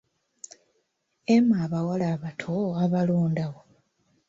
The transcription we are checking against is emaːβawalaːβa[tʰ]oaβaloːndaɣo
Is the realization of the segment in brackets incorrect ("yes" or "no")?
no